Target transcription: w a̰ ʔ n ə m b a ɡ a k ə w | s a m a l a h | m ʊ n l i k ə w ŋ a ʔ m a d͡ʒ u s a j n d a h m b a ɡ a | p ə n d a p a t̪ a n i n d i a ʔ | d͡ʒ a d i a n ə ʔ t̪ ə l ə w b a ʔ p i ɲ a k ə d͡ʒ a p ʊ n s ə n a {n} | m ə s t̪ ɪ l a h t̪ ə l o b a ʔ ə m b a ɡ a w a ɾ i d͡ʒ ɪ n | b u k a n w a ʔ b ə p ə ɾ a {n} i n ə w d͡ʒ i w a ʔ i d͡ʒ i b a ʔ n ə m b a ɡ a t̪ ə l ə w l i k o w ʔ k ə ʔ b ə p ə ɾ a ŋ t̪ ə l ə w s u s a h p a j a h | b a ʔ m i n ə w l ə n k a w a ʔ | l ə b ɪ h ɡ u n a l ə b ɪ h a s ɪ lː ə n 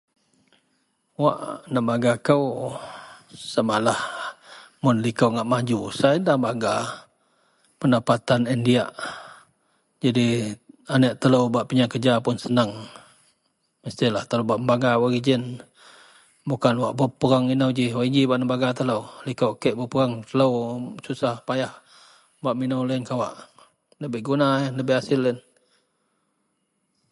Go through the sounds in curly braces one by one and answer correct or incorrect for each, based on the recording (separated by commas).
incorrect, incorrect